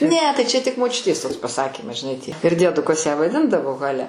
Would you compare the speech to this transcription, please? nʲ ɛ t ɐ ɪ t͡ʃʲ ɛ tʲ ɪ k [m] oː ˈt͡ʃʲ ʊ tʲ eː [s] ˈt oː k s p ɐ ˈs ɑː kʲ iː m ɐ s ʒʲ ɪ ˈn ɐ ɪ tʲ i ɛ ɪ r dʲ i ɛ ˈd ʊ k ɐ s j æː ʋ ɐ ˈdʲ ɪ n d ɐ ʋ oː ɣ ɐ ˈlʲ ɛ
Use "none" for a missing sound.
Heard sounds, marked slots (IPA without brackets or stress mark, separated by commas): m, s